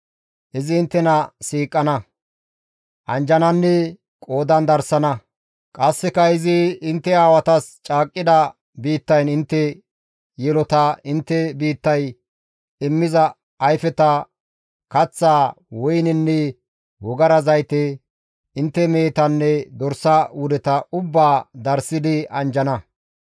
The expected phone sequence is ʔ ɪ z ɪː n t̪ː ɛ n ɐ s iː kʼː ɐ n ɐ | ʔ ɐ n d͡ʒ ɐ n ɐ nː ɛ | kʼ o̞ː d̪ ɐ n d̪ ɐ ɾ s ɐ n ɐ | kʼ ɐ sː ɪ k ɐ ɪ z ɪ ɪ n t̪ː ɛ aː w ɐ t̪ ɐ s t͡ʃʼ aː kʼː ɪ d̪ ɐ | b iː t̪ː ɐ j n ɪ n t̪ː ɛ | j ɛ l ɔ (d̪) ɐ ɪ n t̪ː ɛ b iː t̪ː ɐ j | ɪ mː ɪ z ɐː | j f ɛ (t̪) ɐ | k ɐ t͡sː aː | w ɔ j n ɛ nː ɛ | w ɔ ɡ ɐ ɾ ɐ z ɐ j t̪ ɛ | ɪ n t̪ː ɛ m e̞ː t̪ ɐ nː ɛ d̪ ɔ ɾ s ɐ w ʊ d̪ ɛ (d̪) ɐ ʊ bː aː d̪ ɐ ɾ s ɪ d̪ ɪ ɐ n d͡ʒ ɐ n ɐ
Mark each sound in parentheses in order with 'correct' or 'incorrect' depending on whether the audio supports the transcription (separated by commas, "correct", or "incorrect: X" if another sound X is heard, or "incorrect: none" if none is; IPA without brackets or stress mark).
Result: incorrect: t̪, correct, incorrect: t̪